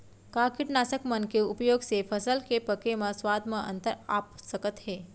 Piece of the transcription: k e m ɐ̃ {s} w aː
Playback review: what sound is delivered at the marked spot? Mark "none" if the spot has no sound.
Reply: s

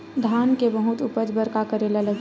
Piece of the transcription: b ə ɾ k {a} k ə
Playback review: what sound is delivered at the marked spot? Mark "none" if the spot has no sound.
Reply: a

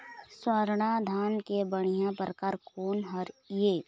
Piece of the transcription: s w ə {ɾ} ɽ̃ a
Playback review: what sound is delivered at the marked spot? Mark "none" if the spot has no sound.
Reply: ɾ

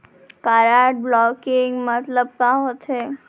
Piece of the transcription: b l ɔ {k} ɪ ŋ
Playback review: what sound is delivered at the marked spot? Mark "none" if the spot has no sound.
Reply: k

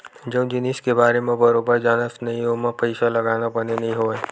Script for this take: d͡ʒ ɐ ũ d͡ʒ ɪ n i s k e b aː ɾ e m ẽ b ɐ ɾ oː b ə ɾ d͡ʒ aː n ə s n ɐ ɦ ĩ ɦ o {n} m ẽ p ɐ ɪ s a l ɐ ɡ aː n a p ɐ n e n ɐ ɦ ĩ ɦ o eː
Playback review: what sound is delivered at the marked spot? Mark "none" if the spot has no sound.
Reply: none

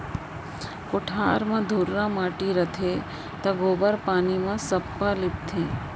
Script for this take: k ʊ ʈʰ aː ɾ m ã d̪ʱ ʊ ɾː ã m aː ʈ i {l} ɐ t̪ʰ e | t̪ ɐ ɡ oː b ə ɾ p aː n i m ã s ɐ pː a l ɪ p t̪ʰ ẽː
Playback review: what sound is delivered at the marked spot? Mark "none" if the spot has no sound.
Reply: ɾ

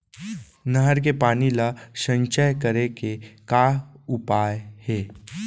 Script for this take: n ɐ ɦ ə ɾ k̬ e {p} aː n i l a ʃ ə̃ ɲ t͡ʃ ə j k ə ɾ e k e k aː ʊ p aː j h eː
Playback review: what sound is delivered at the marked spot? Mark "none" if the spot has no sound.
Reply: p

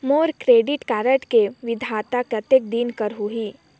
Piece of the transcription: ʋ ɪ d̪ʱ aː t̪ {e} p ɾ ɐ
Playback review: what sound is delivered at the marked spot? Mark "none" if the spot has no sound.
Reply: a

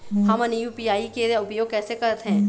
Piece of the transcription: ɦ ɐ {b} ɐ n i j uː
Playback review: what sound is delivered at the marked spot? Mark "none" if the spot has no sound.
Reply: m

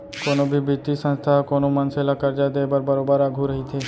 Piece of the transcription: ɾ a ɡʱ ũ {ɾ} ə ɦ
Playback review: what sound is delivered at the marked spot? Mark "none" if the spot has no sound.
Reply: ɾ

